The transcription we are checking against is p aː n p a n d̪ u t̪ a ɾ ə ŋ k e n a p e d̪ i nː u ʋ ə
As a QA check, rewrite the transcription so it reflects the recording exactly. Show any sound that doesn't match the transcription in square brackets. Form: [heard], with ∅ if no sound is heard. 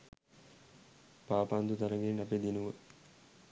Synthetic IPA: p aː [∅] p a n d̪ u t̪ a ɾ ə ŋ [ɡ] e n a p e d̪ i [n] u ʋ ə